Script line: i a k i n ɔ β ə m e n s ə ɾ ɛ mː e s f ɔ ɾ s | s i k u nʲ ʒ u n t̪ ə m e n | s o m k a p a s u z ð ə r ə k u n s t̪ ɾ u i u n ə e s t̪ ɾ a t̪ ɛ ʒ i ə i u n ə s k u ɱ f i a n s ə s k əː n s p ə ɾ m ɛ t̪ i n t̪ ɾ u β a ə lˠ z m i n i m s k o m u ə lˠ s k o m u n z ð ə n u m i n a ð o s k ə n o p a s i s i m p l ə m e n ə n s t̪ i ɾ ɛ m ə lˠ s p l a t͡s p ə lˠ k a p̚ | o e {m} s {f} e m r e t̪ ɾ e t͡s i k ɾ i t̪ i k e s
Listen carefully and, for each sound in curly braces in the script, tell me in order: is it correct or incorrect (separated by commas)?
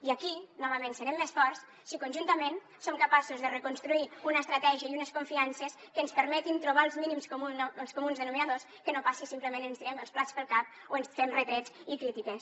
incorrect, correct